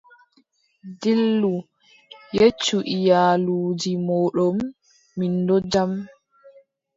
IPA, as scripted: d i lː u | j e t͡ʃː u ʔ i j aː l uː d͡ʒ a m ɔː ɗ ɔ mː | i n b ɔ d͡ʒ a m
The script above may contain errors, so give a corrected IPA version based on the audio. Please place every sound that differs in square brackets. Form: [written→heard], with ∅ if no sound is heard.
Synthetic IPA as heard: d i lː u | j e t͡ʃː u ʔ i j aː l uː d͡ʒ [a→i] m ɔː ɗ ɔ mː | i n [b→d] ɔ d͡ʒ a m

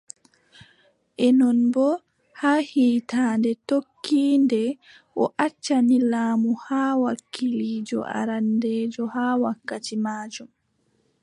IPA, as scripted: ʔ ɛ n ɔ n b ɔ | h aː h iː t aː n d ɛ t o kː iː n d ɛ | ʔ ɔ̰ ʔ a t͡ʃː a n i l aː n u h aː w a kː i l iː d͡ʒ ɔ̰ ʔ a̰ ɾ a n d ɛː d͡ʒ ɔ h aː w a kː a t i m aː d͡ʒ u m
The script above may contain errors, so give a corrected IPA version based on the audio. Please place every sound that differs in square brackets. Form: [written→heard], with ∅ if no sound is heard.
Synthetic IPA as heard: ʔ ɛ n ɔ n b ɔ | h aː h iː t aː n d ɛ t o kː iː n d ɛ | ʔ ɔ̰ ʔ a t͡ʃː a n i l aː [n→m] u h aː w a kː i l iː d͡ʒ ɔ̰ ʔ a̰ ɾ a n d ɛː d͡ʒ ɔ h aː w a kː a t i m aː d͡ʒ u m

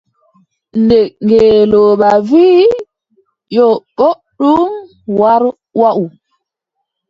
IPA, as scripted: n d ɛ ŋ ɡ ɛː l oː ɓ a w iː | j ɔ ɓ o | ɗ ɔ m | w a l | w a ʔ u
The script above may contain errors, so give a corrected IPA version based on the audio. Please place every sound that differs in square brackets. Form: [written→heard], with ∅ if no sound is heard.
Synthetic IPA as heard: n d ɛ ŋ ɡ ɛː l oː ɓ a [w→v] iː | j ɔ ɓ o | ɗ [ɔ→u] m | w a [l→ɾ] | w a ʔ u

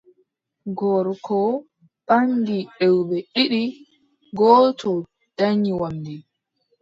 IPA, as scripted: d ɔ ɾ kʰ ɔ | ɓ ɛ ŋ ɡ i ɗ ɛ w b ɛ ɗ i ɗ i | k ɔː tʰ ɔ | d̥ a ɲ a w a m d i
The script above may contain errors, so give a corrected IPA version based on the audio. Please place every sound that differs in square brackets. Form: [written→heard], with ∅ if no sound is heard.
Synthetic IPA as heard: [d→ɡ] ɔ ɾ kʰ ɔ | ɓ [ɛ→a] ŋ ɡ i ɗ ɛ w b ɛ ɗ i ɗ i | [k→ɡ] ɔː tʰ ɔ | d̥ a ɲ [a→i] w a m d i

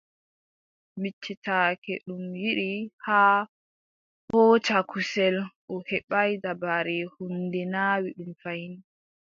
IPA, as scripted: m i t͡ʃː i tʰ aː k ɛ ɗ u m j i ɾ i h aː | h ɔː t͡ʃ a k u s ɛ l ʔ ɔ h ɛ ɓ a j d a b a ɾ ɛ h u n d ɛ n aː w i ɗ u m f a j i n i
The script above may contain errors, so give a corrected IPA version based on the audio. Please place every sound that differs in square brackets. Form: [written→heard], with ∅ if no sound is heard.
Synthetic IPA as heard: m i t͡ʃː i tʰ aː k ɛ ɗ u m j i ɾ i h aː | h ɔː t͡ʃ a k u s ɛ l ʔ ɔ h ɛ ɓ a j d a b a ɾ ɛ h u n d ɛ n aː w i ɗ u m f a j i n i

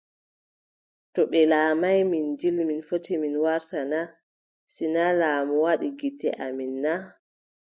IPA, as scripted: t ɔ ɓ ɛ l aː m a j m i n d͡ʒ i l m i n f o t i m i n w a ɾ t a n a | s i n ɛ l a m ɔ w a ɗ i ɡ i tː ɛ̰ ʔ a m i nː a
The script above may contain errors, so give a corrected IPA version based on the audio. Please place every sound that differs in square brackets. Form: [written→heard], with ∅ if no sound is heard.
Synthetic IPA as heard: t ɔ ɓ ɛ l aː m a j m i n d͡ʒ i l m i n f o t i m i n w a ɾ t a n a | s i n [ɛ→a] l a m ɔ w a ɗ i ɡ i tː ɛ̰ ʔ a m i nː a

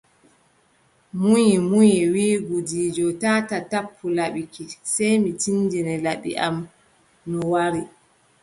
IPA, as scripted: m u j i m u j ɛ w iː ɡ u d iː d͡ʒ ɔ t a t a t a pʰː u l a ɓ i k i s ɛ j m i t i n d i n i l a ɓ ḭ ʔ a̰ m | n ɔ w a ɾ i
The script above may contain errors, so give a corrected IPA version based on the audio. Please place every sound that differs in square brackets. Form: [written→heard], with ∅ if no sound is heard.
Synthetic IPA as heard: m u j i m u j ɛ w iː ɡ u d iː d͡ʒ ɔ t a t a t a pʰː u l a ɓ i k i s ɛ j m i t i n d i n [i→ɛ] l a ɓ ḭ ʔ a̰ m | n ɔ w a ɾ i

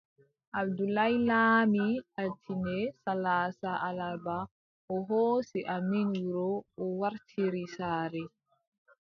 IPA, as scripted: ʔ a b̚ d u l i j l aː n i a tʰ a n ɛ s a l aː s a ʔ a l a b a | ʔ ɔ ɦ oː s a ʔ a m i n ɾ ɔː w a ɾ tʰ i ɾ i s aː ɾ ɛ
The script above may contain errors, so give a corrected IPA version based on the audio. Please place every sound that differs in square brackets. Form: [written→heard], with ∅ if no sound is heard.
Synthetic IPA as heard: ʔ a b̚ d u l [i→a] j l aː [n→m] i a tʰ [a→i] n ɛ s a l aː s a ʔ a l a b a | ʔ ɔ ɦ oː s [a→i] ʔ a m i n ɾ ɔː w a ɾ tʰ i ɾ i s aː ɾ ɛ

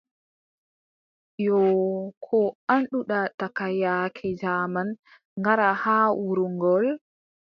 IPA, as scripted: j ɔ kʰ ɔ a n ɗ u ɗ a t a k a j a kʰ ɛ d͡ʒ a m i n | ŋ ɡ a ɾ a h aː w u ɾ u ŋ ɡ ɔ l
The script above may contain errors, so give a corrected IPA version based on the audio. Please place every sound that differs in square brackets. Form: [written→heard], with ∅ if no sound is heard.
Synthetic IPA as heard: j ɔ kʰ ɔ a n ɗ u ɗ a t a k a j a kʰ ɛ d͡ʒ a m [i→a] n | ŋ ɡ a ɾ a h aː w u ɾ u ŋ ɡ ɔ l

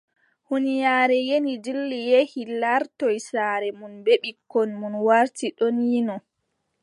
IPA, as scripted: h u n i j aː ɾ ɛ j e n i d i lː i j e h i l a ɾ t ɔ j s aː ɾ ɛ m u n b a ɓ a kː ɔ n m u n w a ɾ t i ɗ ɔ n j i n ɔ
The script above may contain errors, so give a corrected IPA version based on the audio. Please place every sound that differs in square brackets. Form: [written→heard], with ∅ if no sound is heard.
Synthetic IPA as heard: h u n i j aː ɾ ɛ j e n i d i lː i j e h i l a ɾ t ɔ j s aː ɾ ɛ m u n b [a→e] ɓ [a→i] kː ɔ n m u n w a ɾ t i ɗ ɔ n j i n ɔ

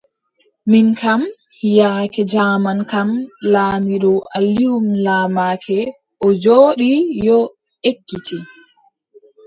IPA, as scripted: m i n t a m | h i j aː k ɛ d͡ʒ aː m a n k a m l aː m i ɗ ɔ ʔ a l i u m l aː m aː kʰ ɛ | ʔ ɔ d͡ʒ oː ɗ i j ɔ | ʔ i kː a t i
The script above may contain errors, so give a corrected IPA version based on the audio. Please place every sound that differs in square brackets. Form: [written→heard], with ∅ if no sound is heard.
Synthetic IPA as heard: m i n [t→k] a m | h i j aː k ɛ d͡ʒ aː m a n k a m l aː m i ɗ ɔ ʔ a l i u m l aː m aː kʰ ɛ | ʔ ɔ d͡ʒ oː ɗ i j ɔ | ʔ [i→e] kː [a→i] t i

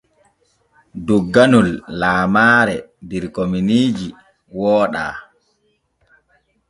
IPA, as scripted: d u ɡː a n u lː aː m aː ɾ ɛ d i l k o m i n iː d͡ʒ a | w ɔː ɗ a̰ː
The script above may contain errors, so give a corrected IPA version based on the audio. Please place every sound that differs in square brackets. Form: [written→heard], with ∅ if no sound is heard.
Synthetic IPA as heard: d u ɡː a n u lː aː m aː ɾ ɛ d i [l→ɾ] k o m i n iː d͡ʒ [a→i] | w ɔː ɗ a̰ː

